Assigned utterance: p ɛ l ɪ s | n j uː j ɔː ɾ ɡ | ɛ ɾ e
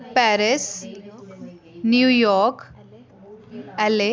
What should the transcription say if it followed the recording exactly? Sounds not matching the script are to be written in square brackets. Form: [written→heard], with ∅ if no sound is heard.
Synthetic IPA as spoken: p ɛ [l→ɾ] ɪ s | n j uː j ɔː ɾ [ɡ→k] | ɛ [ɾ→l] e